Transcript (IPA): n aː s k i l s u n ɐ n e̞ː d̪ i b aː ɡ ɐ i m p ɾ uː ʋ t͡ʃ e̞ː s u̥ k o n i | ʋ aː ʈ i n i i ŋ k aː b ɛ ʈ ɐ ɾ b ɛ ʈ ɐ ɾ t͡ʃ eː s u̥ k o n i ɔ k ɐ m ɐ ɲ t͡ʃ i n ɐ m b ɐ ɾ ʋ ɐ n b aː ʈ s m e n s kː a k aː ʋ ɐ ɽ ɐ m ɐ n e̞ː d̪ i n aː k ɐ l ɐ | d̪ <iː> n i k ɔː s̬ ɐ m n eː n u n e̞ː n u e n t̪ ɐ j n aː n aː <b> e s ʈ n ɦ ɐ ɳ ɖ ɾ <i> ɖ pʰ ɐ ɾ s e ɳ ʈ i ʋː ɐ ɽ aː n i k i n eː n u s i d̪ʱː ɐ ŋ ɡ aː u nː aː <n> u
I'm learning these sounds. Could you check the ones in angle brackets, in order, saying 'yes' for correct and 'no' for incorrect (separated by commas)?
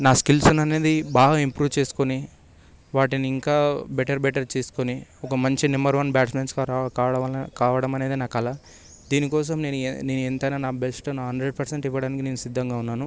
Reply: yes, yes, no, yes